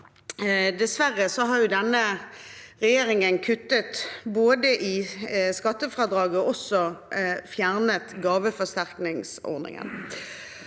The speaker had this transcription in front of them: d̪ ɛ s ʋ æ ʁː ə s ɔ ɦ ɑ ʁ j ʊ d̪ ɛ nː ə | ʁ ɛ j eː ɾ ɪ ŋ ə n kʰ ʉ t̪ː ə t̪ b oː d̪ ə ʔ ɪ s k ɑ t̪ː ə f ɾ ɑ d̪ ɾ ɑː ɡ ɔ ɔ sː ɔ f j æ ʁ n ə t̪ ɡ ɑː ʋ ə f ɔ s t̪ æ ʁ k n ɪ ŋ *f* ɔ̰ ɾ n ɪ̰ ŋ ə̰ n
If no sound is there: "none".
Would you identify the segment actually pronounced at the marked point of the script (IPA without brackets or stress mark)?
s